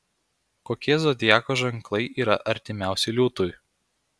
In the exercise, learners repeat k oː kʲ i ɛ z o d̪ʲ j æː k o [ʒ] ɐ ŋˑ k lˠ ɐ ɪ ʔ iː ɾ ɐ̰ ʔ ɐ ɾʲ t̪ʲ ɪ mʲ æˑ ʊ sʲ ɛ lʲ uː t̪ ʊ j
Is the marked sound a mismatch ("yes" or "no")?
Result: no